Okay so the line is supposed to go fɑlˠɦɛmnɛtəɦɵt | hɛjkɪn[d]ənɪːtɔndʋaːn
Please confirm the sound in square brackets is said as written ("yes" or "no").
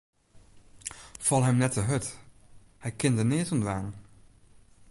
yes